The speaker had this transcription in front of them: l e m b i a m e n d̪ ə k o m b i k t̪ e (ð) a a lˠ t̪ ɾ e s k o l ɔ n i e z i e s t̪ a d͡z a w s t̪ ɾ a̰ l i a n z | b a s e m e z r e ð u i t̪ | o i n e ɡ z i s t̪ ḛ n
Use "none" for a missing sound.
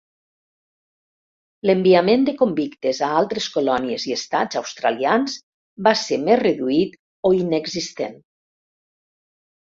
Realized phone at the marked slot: z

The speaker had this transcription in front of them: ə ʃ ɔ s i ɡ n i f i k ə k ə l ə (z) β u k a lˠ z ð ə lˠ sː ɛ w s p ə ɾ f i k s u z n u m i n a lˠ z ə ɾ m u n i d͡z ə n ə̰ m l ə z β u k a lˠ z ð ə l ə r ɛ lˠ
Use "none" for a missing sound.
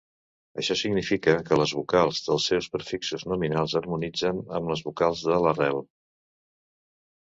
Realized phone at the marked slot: z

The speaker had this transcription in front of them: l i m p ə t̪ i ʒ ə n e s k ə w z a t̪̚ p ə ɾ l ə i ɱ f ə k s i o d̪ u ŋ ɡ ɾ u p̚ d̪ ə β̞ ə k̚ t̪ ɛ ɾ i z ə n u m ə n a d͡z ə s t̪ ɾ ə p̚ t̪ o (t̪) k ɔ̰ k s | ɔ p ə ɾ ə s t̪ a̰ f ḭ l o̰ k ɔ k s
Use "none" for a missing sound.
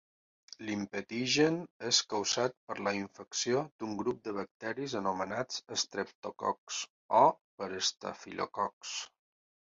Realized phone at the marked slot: none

